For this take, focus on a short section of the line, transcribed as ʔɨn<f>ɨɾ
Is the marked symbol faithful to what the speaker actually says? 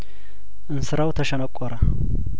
no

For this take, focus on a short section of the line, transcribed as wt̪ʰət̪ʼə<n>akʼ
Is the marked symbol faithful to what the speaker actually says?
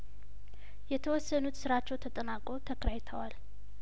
yes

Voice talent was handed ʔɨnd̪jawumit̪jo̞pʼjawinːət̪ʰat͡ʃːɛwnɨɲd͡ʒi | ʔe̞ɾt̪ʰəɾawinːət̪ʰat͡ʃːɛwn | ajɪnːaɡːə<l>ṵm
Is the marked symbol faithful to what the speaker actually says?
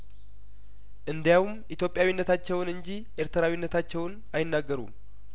no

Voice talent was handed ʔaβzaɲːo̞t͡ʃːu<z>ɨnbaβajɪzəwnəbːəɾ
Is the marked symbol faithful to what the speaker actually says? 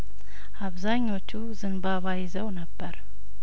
yes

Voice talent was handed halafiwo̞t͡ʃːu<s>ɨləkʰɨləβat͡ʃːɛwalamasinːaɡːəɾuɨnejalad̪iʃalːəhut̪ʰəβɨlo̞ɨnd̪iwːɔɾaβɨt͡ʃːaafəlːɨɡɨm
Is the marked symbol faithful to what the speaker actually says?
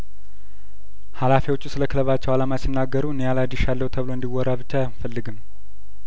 yes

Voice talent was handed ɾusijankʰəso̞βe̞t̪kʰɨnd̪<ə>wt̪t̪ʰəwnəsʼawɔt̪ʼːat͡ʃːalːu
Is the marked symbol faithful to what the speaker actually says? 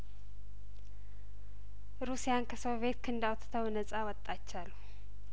no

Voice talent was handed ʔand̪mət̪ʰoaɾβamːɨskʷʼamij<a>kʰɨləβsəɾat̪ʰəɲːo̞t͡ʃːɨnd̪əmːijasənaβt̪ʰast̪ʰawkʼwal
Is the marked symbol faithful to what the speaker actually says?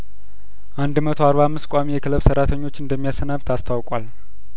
no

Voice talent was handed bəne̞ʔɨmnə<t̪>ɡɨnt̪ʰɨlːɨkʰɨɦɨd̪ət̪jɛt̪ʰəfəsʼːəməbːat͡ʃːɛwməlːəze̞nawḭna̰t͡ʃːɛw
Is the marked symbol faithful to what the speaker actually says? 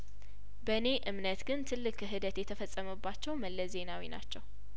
yes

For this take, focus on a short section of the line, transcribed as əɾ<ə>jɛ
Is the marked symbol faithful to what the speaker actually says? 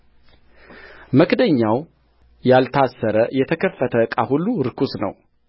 yes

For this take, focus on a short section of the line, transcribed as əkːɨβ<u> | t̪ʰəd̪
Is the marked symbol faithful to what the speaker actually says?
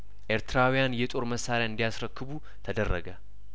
yes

